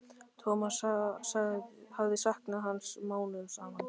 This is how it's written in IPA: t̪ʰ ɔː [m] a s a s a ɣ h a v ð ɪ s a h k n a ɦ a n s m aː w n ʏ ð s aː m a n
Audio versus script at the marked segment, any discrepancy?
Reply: no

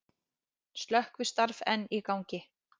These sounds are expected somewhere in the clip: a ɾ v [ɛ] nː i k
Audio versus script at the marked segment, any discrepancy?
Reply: no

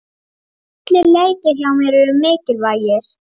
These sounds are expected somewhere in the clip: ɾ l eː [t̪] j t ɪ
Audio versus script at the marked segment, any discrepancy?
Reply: yes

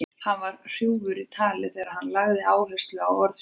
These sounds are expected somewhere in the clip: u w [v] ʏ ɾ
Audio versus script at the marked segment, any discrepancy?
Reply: no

